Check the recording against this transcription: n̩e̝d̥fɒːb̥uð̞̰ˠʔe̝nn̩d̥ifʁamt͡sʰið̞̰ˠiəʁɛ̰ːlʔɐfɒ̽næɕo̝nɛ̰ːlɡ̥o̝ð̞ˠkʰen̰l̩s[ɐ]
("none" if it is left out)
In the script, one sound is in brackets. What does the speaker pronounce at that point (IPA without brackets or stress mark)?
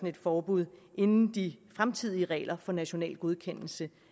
ə